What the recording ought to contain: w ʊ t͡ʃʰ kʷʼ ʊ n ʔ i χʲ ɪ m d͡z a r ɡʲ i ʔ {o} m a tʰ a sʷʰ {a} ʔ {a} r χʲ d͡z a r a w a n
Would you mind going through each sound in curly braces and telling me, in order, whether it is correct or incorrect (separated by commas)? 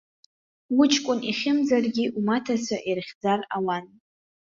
incorrect, correct, incorrect